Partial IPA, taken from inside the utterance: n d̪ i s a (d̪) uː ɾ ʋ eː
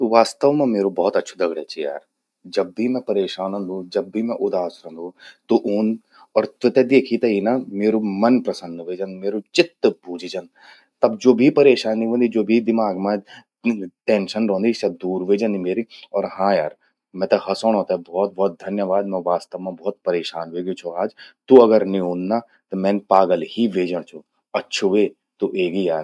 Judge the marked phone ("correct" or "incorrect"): correct